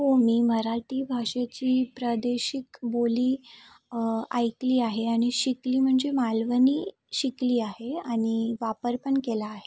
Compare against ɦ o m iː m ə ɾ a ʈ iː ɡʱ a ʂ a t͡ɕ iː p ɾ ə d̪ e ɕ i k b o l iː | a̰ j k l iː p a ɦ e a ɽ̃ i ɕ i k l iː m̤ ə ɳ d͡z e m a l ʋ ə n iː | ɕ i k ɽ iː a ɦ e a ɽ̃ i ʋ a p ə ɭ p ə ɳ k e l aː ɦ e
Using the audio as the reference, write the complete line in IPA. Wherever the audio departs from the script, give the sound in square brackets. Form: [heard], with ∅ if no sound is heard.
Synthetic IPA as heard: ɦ o m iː m ə ɾ a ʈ iː [bʱ] a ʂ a t͡ɕ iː p ɾ ə d̪ e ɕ i k b o l iː | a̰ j k l iː [∅] a ɦ e a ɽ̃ i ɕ i k l iː m̤ ə ɳ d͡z e m a l ʋ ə n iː | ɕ i k [l] iː a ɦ e a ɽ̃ i ʋ a p ə [ɾ] p ə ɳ k e l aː ɦ e

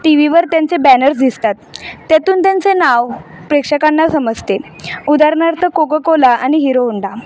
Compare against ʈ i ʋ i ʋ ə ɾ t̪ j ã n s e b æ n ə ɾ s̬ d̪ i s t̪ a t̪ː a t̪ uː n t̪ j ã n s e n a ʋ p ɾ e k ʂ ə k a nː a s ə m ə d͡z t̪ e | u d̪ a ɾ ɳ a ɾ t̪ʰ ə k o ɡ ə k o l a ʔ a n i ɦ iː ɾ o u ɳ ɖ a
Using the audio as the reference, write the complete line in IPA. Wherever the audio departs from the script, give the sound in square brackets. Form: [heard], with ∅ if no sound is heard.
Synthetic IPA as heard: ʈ i ʋ i ʋ ə ɾ t̪ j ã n [t͡s] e b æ n ə ɾ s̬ d̪ i s t̪ a t̪ː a t̪ uː n t̪ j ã n [t͡s] e n a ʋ p ɾ e k ʂ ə k a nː a s ə m ə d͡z t̪ e | u d̪ a ɾ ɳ a ɾ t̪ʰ ə k o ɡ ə k o l a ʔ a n i ɦ [i] ɾ o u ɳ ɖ a

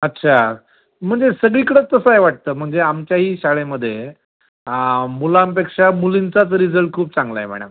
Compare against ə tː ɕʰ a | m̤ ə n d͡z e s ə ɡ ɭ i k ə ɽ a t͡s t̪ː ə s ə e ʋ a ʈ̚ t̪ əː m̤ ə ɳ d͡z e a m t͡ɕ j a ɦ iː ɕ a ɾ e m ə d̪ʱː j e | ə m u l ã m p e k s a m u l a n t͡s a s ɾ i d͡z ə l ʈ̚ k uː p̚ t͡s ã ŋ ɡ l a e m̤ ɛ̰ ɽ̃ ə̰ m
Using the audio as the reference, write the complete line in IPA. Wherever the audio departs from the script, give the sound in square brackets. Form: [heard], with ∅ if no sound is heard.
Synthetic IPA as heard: ə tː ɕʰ a | m̤ ə [ɳ] d͡z e s ə ɡ ɭ i k ə ɽ [ə] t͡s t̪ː ə s ə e ʋ a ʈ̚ t̪ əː m̤ ə ɳ d͡z e a m t͡ɕ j a ɦ iː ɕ a [ɭ] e m ə d̪ʱː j e | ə m u l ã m p e k [ʂ] a m u l [i] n t͡s a [t͡s] ɾ i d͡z ə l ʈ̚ [kʰ] uː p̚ t͡s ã ŋ ɡ l a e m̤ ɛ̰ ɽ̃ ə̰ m

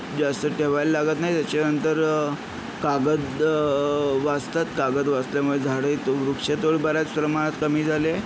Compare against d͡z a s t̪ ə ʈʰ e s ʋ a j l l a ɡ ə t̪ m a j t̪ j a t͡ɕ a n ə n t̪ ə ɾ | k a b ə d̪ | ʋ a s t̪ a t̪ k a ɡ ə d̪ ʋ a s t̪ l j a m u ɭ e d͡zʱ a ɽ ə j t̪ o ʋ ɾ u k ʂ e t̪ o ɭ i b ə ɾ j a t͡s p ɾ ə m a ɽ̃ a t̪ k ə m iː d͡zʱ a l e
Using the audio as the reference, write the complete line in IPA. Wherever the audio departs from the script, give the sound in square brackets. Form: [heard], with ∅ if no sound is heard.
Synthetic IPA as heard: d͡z a s t̪ ə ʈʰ e [∅] ʋ a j l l a ɡ ə t̪ [n] a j t̪ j a t͡ɕ a n ə n t̪ ə ɾ | k a [ɡ] ə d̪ | ʋ a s t̪ a t̪ k a ɡ ə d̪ ʋ a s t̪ l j a m u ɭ e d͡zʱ a ɽ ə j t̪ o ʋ ɾ u k ʂ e t̪ o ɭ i b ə ɾ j a t͡s p ɾ ə m a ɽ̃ a t̪ k ə m iː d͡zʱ a l e

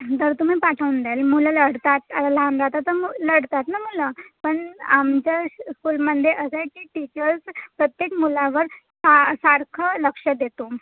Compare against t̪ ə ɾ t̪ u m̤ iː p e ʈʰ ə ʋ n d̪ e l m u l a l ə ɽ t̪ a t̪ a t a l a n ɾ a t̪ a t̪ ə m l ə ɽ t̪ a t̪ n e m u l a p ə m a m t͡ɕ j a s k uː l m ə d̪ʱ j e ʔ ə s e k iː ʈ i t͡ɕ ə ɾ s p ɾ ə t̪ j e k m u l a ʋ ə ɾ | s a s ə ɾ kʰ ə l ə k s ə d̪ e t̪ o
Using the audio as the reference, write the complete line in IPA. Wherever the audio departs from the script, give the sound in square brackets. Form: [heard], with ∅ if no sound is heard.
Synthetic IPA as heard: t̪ ə ɾ t̪ u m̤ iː p [a] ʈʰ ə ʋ n d̪ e l m u l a l ə ɽ t̪ a t̪ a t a l a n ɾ a t̪ a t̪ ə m l ə ɽ t̪ a t̪ n [a] m u l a p ə [ɳ] a m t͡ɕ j a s k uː l m ə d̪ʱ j e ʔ ə s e k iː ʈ i t͡ɕ ə ɾ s p ɾ ə t̪ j e k m u l a ʋ ə ɾ | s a s [a] ɾ kʰ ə l ə k [ʂ] ə d̪ e t̪ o

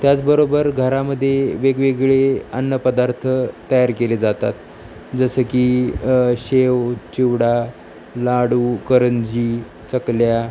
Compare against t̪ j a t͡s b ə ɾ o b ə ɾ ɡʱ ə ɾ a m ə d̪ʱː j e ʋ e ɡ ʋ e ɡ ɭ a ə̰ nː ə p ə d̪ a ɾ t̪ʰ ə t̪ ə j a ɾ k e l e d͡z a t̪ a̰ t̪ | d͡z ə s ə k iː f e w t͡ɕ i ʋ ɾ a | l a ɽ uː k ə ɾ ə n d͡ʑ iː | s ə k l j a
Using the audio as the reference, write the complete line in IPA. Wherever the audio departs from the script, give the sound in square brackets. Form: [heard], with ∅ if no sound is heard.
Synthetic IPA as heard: t̪ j a t͡s b ə ɾ o b ə ɾ ɡʱ ə ɾ a m ə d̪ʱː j e ʋ e ɡ ʋ e ɡ ɭ [e] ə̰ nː ə p ə d̪ a ɾ t̪ʰ ə t̪ ə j a ɾ k e l e d͡z a t̪ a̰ t̪ | d͡z ə s ə k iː [ɕ] e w t͡ɕ i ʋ [ɽ] a | l a ɽ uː k ə ɾ ə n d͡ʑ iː | [t͡s] ə k l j a

